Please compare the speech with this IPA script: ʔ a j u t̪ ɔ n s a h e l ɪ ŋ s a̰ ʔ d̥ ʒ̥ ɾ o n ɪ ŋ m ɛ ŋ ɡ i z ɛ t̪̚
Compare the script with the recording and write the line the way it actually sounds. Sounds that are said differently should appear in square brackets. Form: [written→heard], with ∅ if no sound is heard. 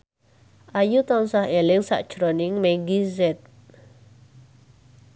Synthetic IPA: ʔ a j u t̪ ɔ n s a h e l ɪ ŋ s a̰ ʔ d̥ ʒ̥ ɾ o n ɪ ŋ m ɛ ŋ ɡ i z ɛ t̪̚